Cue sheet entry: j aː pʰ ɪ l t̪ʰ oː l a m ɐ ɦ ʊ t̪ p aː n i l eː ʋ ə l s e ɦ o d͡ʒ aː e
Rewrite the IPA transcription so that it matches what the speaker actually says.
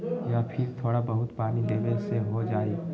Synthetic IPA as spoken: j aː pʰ ɪ ɾ t̪ʰ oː ɽ a b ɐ ɦ ʊ t̪ p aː n i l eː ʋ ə l s e ɦ o d͡ʒ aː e